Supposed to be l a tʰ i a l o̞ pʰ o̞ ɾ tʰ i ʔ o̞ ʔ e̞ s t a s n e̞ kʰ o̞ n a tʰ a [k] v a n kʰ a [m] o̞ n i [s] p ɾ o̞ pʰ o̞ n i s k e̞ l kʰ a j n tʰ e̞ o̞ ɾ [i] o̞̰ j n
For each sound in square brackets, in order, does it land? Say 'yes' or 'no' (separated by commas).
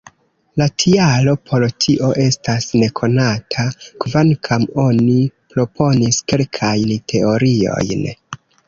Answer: yes, yes, no, yes